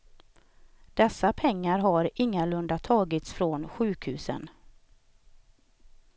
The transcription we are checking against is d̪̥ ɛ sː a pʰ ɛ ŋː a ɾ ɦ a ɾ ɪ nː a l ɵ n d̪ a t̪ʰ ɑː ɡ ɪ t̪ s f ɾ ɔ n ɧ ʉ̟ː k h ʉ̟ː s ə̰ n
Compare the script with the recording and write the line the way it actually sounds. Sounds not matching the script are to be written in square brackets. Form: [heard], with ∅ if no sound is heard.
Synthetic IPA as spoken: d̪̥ ɛ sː a pʰ ɛ ŋː a ɾ ɦ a ɾ ɪ [ŋː] a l ɵ n d̪ a t̪ʰ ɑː ɡ ɪ t̪ s f ɾ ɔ n ɧ ʉ̟ː k h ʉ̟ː s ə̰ n